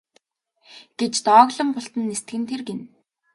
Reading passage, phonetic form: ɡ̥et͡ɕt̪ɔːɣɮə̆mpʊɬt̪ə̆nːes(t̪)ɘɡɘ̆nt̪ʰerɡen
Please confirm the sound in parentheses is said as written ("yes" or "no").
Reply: yes